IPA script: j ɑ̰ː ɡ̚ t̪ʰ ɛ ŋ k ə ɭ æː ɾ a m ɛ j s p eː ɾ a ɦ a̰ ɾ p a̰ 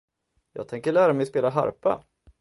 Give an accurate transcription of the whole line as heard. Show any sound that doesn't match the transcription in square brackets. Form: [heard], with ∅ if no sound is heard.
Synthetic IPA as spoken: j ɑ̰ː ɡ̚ t̪ʰ ɛ ŋ k ə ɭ æː ɾ a m ɛ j s p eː [l] a ɦ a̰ ɾ p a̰